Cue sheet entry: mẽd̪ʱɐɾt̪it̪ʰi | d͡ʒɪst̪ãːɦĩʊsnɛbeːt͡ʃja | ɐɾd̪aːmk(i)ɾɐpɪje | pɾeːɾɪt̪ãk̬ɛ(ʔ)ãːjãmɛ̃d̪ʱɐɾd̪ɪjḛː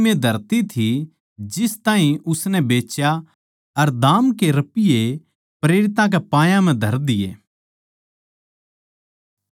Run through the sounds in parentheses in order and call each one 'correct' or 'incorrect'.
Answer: incorrect: e, incorrect: p

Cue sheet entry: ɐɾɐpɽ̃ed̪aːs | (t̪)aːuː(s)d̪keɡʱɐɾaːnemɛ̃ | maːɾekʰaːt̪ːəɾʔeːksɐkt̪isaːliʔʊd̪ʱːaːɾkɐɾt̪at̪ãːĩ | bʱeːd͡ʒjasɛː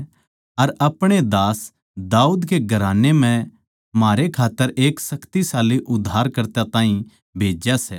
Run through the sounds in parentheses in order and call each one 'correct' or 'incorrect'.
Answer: incorrect: d̪, incorrect: none

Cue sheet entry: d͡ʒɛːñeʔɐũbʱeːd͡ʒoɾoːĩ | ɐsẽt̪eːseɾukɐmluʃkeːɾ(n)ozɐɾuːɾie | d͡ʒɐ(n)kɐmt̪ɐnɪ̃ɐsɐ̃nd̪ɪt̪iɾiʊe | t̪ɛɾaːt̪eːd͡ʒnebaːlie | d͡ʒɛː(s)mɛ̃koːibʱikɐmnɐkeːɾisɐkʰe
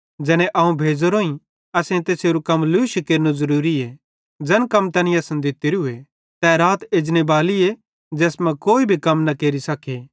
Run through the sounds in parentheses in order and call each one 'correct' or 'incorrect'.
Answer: correct, correct, correct

